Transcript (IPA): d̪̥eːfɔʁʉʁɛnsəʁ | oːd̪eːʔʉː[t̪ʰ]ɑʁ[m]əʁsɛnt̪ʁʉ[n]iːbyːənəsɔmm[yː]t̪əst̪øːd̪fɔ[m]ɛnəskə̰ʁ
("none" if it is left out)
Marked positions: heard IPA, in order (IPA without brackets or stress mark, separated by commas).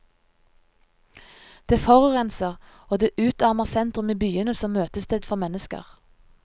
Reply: t̪, m, m, øː, m